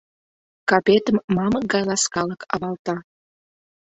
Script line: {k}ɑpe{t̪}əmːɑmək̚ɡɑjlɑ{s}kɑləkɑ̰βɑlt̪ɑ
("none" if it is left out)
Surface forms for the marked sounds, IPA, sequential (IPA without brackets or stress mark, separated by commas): k, t̪, s